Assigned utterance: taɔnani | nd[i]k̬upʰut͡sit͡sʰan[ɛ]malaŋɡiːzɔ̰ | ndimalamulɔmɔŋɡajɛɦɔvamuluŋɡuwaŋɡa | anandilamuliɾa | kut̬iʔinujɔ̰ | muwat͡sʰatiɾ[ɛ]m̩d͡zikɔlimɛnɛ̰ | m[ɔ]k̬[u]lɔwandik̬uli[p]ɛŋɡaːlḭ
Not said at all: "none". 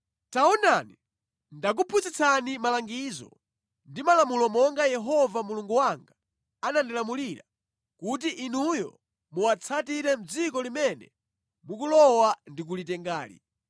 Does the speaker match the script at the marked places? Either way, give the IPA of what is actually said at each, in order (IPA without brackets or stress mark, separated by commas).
a, i, ɛ, u, u, t